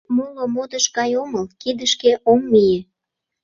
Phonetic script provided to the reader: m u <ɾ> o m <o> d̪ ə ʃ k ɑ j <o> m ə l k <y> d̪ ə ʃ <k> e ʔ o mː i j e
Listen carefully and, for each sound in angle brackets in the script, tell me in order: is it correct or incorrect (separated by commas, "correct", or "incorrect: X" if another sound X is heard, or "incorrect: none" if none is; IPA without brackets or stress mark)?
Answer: incorrect: l, correct, correct, incorrect: i, correct